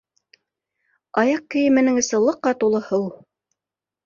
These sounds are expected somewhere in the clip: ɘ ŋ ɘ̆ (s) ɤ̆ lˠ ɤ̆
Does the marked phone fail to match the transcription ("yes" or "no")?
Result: no